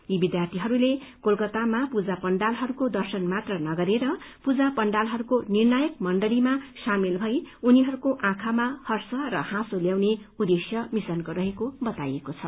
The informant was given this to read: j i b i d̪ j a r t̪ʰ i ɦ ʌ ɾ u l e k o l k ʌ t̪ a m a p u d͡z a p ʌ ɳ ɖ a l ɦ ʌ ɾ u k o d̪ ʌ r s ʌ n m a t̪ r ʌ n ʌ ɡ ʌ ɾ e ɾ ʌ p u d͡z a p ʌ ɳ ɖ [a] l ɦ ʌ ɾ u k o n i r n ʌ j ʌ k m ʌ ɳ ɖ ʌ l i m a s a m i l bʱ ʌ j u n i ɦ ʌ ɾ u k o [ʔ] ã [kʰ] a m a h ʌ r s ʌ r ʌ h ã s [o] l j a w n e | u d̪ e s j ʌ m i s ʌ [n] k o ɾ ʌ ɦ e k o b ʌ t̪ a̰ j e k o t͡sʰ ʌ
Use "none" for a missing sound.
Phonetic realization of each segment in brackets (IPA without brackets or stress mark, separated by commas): a, ʔ, kʰ, o, n